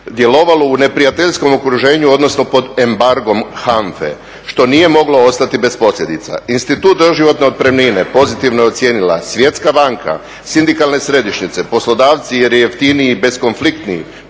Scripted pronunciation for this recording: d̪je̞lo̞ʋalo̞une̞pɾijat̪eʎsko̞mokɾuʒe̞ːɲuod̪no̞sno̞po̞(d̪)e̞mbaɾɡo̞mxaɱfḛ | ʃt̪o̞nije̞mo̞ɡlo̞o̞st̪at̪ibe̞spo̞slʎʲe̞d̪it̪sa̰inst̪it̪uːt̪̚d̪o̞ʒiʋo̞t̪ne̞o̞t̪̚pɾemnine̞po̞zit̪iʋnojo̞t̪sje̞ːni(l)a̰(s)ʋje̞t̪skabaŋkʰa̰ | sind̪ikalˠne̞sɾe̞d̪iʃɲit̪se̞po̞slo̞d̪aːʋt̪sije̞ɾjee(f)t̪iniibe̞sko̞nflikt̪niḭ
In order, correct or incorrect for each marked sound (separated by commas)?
correct, correct, correct, correct